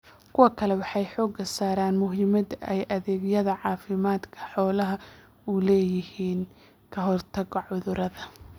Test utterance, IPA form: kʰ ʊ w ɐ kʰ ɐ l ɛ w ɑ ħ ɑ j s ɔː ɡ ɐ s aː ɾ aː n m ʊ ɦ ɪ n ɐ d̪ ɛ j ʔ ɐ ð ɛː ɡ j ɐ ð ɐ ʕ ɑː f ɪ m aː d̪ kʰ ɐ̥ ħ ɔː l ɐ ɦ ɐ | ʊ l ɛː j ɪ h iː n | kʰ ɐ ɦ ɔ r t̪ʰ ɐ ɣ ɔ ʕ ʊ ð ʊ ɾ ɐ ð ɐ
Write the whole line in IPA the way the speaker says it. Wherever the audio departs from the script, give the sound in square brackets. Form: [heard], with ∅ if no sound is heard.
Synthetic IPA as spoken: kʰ ʊ w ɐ kʰ ɐ l ɛ w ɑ ħ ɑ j [ħ] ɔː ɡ ɐ s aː ɾ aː n m ʊ ɦ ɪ [m] ɐ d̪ ɛ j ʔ ɐ ð ɛː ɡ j ɐ ð ɐ ʕ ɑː f ɪ m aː d̪ kʰ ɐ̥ ħ ɔː l ɐ ɦ ɐ | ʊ l ɛː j ɪ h iː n | kʰ ɐ ɦ ɔ r t̪ʰ ɐ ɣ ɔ ʕ ʊ ð ʊ ɾ ɐ ð ɐ